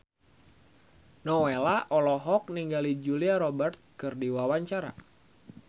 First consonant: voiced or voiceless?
voiced